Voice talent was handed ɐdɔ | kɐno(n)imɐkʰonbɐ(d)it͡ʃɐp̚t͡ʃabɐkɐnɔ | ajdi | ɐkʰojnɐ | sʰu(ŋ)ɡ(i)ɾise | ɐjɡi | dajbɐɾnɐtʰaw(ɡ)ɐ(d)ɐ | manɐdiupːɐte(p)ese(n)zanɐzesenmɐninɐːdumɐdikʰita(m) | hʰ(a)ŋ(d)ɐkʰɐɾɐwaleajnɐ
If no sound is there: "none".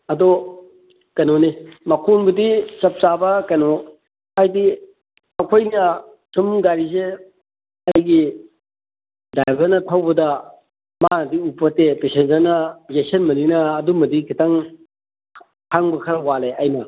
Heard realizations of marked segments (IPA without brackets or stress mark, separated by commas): n, d, m, a, b, d, p, n, ŋ, a, b